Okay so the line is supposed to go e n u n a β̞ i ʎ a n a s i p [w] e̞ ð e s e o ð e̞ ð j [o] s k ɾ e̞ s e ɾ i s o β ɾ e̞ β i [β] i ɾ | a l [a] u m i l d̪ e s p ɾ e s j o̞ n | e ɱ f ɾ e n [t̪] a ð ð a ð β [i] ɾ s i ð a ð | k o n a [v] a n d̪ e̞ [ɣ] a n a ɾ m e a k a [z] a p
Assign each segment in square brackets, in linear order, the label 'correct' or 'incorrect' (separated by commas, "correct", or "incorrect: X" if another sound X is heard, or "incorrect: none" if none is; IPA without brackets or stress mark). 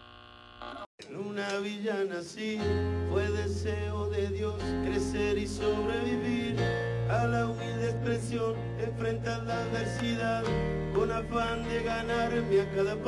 correct, correct, correct, correct, correct, incorrect: e, incorrect: f, correct, incorrect: ð